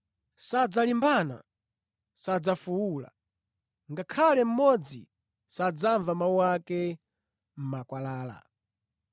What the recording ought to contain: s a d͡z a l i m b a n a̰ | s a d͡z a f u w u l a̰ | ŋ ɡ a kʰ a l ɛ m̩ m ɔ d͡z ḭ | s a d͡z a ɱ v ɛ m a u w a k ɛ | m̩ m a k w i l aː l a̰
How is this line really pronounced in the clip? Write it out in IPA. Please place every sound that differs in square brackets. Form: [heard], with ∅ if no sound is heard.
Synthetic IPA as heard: s a d͡z a l i m b a n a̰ | s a d͡z a f u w u l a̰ | ŋ ɡ a kʰ a l ɛ m̩ m ɔ d͡z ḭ | s a d͡z a ɱ v [a] m a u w a k ɛ | m̩ m a k w [a] l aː l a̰